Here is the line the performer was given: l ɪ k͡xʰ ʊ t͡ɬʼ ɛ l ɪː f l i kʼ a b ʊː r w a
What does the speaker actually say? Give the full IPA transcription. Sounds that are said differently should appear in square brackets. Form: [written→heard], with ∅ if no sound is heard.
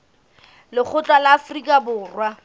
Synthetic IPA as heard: l ɪ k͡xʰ ʊ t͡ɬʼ [ɛ→a] l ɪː f [l→r] i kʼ a b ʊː r w a